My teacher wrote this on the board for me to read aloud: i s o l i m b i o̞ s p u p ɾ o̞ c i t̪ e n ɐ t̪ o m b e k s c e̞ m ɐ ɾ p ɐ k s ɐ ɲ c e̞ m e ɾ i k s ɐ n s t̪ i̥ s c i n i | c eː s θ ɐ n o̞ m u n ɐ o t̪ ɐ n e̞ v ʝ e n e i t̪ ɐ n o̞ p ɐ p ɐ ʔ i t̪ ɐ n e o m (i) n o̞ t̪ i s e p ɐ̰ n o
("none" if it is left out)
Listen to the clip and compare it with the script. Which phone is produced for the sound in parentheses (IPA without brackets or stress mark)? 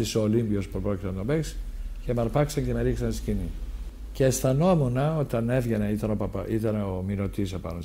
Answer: i